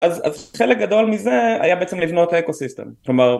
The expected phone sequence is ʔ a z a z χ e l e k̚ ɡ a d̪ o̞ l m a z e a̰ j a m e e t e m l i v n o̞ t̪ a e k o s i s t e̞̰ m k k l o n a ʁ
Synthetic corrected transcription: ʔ a z a z χ e l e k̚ ɡ a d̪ o̞ l m i z e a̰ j a b e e t͡s e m l i v n o̞ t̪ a e k o s i s t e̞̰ m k k l o m a ʁ